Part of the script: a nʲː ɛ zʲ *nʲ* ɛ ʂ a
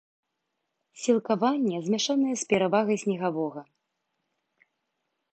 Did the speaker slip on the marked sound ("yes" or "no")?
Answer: yes